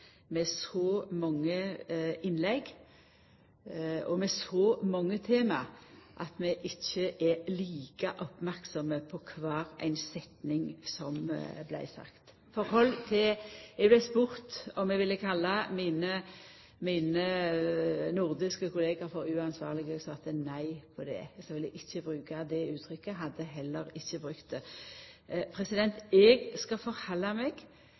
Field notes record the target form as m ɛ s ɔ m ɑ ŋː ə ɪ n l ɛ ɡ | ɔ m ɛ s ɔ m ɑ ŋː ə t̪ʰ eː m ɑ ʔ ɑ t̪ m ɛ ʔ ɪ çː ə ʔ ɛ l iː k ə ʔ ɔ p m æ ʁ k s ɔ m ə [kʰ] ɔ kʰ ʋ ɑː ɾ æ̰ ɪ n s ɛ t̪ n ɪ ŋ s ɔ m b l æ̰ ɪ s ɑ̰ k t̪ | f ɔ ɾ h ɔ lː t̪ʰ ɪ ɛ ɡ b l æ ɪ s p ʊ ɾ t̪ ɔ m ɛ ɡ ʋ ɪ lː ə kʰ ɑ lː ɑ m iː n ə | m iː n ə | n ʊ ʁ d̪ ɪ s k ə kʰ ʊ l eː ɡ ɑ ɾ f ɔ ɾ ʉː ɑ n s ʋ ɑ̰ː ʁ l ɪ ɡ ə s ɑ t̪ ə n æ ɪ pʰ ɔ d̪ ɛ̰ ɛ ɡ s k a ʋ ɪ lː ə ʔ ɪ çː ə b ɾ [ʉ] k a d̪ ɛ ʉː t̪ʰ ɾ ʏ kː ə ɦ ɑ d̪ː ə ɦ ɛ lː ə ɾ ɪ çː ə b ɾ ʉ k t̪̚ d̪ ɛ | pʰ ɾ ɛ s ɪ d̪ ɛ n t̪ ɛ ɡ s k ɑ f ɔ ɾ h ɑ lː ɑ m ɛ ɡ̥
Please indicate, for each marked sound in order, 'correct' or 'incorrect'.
incorrect: pʰ, incorrect: ʉː

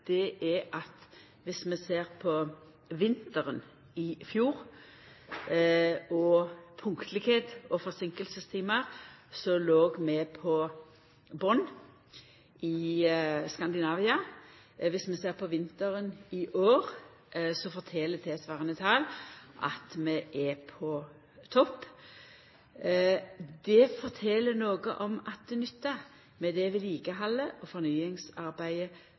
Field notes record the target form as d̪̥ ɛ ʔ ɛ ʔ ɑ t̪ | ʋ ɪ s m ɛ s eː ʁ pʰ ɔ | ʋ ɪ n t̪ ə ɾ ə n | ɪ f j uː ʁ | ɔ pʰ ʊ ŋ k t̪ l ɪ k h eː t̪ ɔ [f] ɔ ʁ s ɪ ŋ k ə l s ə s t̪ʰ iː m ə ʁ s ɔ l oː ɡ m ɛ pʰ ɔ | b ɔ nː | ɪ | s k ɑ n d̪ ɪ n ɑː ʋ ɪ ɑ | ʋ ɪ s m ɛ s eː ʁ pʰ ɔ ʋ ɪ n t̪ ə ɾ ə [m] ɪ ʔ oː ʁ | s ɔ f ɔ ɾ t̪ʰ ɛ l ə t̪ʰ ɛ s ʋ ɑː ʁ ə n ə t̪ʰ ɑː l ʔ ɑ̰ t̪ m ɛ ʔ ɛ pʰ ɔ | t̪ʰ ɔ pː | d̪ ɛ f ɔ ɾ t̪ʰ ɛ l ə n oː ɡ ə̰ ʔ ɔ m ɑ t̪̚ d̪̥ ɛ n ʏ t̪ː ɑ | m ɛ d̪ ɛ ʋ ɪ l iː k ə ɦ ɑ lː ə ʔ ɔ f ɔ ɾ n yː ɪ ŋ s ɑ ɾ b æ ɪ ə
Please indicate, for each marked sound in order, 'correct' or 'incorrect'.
correct, incorrect: n

